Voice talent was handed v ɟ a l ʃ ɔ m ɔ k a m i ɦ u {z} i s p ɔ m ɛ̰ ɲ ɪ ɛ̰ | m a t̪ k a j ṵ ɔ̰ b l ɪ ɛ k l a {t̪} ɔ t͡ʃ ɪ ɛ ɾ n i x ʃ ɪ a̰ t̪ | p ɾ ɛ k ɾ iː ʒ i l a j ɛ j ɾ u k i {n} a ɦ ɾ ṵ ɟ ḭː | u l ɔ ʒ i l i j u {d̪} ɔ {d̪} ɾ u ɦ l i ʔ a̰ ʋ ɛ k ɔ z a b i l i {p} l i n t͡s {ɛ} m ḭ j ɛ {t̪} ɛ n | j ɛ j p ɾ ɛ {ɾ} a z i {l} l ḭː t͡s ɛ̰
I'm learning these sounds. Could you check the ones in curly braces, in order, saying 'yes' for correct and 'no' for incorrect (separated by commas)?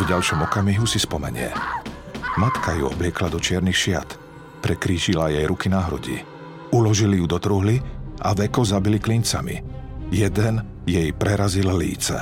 no, no, yes, yes, no, no, no, no, yes, yes